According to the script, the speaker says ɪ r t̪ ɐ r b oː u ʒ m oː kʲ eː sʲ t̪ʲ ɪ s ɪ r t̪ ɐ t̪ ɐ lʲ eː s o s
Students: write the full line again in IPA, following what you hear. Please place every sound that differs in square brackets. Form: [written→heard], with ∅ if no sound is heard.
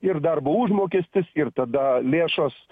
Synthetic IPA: ɪ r [t̪→d̪] ɐ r b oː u ʒ m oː kʲ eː sʲ t̪ʲ ɪ s ɪ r t̪ ɐ [t̪→d̪] ɐ lʲ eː [s→ʃ] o s